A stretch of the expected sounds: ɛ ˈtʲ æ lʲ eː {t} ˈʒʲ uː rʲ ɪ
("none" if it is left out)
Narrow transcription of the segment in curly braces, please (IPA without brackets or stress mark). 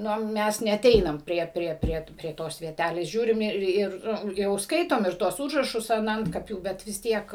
s